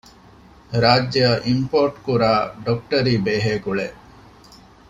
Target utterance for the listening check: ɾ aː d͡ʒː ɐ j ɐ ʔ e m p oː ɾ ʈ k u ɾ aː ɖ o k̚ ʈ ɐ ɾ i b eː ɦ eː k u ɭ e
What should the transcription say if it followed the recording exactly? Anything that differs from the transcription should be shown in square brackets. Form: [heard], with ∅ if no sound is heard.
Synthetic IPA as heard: ɾ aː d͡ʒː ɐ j ɐ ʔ [i] m p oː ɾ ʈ k u ɾ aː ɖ o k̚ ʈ ɐ ɾ [iː] b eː ɦ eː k u ɭ e